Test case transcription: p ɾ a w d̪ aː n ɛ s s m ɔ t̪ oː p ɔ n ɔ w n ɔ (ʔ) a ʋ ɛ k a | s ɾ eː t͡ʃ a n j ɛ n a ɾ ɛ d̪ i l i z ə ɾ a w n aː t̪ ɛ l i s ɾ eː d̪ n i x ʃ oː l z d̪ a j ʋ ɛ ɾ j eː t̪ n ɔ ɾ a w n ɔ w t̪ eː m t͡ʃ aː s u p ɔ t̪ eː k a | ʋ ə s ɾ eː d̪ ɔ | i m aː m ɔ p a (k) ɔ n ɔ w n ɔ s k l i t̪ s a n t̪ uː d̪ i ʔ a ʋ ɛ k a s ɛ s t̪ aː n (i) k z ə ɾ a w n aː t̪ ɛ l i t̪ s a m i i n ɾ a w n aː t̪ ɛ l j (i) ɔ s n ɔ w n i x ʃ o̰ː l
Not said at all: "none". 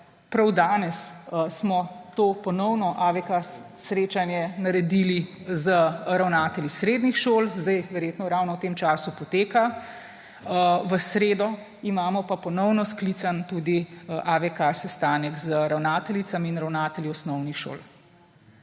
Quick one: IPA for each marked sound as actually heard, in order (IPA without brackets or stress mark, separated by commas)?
ʔ, p, ɛ, i